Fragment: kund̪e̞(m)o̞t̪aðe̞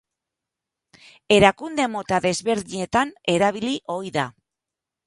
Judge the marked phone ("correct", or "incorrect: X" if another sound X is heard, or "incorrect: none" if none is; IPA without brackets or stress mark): correct